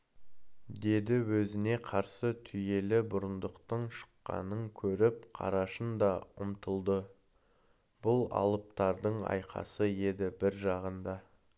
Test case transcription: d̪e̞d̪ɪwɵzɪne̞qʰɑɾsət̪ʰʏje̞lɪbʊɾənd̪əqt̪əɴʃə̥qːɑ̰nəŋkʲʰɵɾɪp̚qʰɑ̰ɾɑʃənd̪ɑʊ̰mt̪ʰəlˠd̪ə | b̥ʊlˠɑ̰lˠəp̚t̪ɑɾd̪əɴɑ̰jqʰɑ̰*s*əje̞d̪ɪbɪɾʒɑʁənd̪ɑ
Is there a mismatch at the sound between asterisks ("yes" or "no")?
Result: no